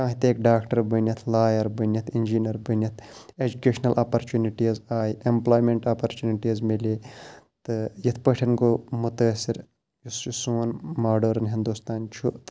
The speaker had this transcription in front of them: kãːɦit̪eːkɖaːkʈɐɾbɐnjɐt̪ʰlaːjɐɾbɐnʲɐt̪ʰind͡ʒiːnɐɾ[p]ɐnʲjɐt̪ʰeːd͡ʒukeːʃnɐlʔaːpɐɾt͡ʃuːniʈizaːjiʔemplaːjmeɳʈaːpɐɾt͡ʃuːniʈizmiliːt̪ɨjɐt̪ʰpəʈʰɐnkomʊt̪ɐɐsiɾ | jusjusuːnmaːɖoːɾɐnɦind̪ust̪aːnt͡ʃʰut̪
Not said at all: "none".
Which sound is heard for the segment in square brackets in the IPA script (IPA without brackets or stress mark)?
b